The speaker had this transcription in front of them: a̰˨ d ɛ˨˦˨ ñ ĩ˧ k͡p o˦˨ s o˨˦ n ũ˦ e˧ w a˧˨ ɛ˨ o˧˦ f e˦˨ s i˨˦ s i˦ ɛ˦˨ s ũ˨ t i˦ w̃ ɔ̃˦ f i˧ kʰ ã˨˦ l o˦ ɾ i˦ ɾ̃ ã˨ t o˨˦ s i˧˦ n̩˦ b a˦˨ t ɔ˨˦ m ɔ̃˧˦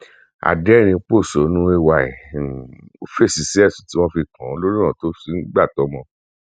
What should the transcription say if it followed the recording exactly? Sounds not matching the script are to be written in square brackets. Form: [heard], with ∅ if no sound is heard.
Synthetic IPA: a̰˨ d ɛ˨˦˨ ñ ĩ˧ k͡p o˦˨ s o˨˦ n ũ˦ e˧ w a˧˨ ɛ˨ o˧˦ f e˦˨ s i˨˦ s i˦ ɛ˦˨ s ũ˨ t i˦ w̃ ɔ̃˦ f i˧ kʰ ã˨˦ l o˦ ɾ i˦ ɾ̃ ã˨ t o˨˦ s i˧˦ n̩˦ [ɡ͡b] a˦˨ t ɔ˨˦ m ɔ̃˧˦

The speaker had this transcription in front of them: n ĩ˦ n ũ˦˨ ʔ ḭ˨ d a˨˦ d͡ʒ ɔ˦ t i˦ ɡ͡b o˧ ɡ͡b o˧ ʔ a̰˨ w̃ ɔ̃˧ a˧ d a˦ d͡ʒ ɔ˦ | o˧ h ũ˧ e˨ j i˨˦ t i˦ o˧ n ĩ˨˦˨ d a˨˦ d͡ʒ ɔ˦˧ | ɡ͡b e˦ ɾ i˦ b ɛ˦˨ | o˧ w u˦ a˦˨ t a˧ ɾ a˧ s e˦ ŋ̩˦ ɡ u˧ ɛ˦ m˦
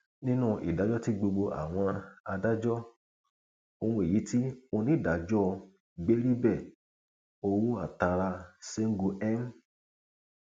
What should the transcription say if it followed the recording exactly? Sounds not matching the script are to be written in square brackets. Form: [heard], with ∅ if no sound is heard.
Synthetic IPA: n ĩ˦ n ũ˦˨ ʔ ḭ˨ d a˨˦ d͡ʒ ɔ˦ t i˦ ɡ͡b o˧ ɡ͡b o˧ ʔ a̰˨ w̃ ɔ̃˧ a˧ d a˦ d͡ʒ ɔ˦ | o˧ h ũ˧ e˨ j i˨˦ t i˦ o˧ n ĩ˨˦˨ d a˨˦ d͡ʒ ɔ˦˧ | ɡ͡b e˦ ɾ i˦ b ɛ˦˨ | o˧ w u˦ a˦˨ t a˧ ɾ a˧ s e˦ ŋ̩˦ ɡ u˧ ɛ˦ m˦

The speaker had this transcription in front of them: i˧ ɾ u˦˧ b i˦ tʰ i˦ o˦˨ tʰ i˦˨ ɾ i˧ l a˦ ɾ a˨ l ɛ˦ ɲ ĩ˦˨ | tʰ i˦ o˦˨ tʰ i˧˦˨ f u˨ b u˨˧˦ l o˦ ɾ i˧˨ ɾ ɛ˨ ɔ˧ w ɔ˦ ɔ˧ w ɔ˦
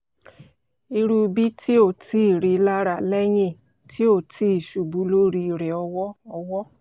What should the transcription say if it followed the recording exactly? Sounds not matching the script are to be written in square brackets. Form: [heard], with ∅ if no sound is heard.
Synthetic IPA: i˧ ɾ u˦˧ b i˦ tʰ i˦ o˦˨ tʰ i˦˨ ɾ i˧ l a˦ ɾ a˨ l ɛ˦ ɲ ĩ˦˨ | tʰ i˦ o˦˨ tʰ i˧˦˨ [ʃ] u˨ b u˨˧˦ l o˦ ɾ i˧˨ ɾ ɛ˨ ɔ˧ w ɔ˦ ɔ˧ w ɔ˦

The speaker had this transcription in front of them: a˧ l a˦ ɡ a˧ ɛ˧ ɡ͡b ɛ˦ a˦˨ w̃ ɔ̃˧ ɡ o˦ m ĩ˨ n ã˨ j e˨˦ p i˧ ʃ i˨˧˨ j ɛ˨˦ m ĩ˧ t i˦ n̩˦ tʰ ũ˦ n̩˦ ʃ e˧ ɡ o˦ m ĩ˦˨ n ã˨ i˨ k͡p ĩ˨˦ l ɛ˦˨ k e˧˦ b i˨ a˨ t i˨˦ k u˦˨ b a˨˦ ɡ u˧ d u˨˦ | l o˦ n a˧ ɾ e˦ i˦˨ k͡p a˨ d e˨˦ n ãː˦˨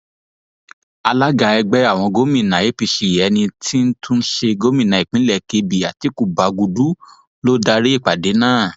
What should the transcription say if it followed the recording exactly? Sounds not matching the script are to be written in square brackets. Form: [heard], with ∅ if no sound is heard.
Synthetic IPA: a˧ l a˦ ɡ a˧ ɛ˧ ɡ͡b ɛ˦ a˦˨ w̃ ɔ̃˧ ɡ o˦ m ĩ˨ n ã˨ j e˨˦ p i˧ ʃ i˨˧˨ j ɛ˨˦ [n] ĩ˧ t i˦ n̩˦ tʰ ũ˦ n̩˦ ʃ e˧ ɡ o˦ m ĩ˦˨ n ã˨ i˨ k͡p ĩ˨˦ l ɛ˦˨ k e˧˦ b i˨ a˨ t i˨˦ k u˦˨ b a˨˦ ɡ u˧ d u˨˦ | l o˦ [d] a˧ ɾ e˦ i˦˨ k͡p a˨ d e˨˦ n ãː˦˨

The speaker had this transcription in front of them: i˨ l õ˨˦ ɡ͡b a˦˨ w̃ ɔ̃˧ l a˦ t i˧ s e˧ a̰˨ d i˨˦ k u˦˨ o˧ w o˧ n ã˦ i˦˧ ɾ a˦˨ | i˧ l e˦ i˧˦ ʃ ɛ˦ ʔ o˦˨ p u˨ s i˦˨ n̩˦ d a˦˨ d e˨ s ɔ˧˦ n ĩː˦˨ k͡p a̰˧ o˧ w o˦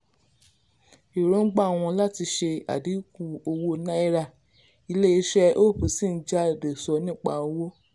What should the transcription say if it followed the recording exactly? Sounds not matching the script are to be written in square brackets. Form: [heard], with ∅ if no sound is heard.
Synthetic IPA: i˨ [ɾ] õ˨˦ ɡ͡b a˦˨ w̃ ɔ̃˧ l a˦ t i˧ [ʃ] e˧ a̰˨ d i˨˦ k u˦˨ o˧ w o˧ n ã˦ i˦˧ ɾ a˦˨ | i˧ l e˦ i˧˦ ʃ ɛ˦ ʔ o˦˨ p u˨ s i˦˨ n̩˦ [d͡ʒ] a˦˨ d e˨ s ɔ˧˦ n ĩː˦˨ k͡p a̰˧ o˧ w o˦

